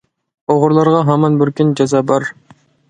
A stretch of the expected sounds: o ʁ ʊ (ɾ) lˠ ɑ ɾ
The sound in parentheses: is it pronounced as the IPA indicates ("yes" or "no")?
yes